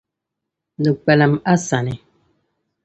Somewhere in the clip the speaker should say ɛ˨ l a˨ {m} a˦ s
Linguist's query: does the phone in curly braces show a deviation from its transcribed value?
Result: no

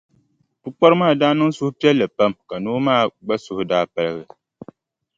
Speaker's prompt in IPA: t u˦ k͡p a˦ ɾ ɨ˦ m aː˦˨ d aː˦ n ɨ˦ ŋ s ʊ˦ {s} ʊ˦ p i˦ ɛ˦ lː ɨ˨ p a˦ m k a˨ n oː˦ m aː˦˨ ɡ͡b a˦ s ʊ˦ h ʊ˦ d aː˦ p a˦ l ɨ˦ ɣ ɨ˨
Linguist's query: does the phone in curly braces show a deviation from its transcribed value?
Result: yes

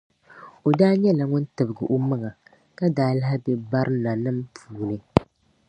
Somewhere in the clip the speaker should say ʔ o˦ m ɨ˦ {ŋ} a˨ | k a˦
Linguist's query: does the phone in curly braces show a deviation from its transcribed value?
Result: no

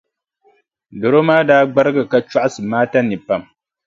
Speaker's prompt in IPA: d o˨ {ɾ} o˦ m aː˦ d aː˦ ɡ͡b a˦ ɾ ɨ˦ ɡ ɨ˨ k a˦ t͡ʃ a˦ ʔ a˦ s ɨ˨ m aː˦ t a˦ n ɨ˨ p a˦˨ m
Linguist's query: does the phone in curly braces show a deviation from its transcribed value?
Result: no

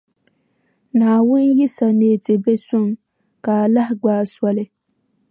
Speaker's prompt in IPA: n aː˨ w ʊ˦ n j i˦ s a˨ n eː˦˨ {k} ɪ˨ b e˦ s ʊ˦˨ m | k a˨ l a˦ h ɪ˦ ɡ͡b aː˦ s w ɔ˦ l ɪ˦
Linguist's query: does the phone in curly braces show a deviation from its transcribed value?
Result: yes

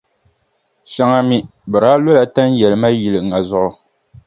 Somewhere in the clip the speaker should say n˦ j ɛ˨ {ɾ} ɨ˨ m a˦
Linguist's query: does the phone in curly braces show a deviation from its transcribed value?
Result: yes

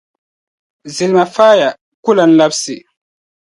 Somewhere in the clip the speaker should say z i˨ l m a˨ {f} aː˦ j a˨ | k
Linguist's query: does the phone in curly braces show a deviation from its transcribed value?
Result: no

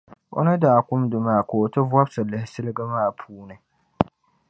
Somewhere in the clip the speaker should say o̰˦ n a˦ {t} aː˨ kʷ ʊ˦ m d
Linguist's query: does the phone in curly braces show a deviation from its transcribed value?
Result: yes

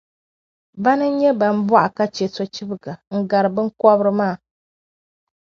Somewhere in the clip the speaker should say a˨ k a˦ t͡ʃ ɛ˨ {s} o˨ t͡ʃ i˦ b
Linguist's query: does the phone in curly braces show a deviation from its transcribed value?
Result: no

